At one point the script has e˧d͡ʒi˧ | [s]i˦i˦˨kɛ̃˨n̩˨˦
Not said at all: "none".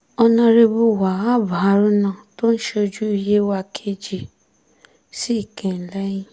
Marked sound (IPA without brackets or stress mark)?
s